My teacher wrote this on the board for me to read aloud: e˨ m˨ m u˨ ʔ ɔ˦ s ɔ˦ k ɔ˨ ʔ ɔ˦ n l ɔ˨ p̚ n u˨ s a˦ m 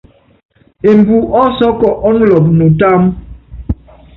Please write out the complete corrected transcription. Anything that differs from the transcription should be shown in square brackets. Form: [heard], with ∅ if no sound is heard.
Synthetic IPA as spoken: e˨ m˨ [b] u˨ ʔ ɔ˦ s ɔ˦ k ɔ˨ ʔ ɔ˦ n l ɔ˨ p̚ n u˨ [t] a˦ m